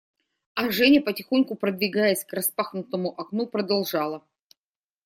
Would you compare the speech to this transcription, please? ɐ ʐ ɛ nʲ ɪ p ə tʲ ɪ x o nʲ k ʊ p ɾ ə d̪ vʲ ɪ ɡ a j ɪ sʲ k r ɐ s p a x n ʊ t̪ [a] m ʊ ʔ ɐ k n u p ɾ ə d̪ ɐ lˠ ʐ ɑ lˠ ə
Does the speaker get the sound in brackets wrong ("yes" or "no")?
yes